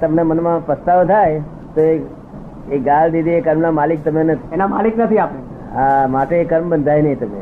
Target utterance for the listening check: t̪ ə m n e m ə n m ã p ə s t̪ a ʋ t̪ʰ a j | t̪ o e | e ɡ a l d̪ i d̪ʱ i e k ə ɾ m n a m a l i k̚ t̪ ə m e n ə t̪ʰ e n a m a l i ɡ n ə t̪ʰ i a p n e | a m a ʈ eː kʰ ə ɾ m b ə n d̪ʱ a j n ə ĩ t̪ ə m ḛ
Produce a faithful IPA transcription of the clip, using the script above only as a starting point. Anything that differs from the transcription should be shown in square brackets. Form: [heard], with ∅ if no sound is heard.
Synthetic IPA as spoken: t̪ ə m n e m ə n m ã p ə s t̪ a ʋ t̪ʰ a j | t̪ o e | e ɡ a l d̪ i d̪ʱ i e k ə ɾ m n a m a l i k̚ t̪ ə m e n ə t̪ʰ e n a m a l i [k] n ə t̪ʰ i a p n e | a m a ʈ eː [k] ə ɾ m b ə n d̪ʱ a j n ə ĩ t̪ ə m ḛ